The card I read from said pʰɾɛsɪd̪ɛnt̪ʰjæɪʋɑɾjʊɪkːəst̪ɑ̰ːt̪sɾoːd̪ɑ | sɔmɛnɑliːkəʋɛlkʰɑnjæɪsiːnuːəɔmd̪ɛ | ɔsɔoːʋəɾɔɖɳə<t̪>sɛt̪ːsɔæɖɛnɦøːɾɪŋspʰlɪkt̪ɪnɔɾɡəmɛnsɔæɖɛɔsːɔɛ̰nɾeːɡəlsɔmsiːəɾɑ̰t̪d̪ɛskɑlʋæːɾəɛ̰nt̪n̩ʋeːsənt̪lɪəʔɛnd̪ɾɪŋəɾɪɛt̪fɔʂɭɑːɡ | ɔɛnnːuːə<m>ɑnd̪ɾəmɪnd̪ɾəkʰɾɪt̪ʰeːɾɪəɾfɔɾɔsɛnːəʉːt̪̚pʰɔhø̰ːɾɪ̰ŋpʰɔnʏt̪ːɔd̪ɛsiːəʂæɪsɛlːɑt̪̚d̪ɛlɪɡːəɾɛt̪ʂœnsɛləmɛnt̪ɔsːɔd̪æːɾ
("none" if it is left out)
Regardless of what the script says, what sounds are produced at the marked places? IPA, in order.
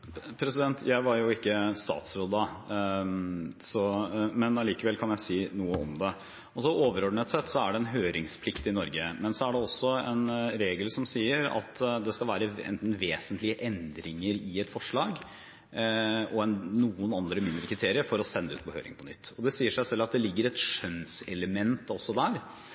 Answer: t̪, n

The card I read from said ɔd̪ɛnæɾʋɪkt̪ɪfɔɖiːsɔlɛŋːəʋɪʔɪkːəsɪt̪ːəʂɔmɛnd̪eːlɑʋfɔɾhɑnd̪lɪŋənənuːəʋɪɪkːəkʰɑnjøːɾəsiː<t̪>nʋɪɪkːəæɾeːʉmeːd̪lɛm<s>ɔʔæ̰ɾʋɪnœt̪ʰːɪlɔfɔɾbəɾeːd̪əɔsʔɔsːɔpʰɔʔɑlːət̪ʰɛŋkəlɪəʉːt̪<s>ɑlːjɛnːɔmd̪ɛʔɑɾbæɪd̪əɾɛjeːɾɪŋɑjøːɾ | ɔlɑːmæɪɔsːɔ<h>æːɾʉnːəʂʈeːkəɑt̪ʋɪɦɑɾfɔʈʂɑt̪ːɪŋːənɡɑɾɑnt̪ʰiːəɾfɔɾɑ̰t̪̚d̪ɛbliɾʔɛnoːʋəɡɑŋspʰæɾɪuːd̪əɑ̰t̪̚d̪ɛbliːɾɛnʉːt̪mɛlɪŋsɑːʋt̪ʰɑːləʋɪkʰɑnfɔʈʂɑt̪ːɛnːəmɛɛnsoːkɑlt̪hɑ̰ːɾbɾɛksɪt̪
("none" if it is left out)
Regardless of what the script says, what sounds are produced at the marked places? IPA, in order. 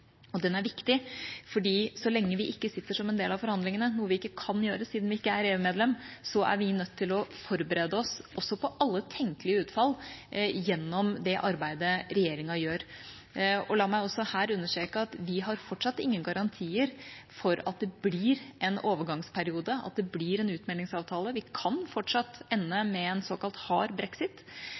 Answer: d̪, s, f, h

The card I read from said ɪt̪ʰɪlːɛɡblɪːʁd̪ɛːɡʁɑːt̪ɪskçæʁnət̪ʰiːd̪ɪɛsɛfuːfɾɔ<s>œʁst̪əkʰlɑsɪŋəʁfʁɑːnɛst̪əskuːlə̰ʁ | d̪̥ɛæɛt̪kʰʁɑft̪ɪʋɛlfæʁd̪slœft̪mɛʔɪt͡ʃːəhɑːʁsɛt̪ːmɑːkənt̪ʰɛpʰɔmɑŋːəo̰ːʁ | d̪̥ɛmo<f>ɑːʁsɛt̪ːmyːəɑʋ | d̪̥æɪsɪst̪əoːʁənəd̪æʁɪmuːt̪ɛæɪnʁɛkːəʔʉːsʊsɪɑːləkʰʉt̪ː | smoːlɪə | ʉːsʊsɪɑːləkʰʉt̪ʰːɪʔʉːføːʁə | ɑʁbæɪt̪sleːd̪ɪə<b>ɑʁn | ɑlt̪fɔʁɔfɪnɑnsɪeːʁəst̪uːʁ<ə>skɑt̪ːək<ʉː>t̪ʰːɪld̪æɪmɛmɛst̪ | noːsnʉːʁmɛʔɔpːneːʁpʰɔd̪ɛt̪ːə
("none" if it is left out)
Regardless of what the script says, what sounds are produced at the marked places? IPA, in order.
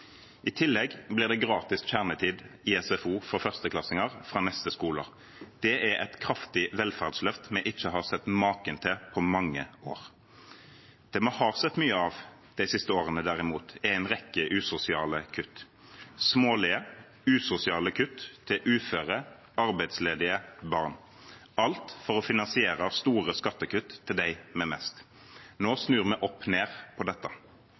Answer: f, h, b, ə, ʉ

